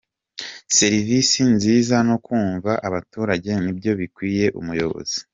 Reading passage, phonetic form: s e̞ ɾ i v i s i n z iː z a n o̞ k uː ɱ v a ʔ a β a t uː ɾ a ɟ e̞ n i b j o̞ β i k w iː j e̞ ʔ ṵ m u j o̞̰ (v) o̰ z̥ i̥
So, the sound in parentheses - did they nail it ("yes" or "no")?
no